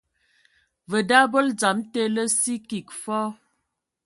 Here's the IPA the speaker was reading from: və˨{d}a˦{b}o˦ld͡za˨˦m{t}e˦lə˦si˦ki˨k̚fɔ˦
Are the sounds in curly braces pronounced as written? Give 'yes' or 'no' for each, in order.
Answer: yes, yes, yes

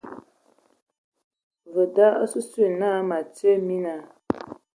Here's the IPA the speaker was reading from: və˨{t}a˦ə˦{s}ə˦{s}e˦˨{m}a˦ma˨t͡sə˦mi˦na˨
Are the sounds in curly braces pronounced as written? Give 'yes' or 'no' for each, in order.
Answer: no, yes, yes, no

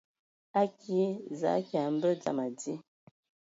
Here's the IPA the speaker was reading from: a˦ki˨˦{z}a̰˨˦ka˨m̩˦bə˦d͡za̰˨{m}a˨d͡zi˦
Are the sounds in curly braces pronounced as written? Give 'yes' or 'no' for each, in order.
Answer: yes, yes

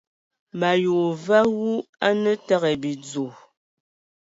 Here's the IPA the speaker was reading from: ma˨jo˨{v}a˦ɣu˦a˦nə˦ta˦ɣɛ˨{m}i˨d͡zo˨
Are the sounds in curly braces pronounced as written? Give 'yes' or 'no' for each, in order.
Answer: yes, no

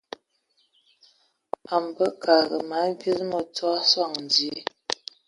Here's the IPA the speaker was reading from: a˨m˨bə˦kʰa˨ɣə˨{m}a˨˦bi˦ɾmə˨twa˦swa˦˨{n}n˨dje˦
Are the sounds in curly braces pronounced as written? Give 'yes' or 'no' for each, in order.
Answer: yes, no

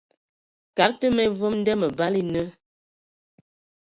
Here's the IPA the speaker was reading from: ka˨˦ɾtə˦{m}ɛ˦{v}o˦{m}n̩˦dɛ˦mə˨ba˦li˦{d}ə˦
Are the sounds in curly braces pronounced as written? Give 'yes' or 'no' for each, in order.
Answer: yes, yes, yes, no

